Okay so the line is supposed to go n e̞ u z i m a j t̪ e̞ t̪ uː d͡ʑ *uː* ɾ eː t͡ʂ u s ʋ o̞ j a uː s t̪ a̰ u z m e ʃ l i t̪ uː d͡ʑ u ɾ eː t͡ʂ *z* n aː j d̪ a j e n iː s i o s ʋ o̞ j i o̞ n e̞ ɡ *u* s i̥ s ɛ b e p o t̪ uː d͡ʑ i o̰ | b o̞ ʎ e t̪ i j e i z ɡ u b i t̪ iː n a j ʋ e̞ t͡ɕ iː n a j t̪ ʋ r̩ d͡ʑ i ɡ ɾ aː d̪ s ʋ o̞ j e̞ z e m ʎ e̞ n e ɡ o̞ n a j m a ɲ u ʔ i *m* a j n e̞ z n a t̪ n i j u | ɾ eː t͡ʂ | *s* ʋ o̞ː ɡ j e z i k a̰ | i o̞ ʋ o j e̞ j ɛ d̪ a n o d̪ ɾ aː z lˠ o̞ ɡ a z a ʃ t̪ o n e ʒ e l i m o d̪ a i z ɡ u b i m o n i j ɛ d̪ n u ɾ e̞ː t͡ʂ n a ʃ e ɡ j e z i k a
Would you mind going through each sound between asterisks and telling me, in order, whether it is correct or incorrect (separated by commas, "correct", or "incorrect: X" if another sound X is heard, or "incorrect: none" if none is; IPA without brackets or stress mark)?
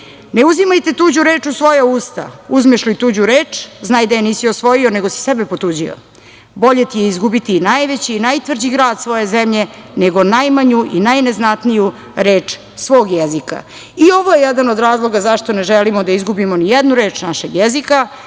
incorrect: u, correct, incorrect: o, incorrect: n, correct